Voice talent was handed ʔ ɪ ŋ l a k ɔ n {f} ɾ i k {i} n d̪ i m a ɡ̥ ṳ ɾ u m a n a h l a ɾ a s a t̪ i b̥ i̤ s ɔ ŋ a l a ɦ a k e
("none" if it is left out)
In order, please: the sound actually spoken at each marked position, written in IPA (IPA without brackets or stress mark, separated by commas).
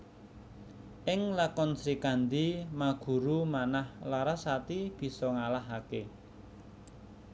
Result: s, a